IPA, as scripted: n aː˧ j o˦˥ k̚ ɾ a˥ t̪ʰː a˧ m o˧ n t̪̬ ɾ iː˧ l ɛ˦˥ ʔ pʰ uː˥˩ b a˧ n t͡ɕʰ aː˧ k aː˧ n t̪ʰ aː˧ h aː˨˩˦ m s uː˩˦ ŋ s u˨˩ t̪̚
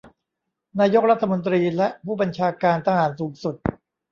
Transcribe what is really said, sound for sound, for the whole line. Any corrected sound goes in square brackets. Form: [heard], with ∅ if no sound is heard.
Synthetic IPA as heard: n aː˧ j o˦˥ k̚ ɾ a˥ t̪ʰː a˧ m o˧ n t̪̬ ɾ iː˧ l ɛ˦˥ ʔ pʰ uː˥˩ b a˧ n t͡ɕʰ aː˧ k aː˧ n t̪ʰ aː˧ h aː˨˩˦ [n] s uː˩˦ ŋ s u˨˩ t̪̚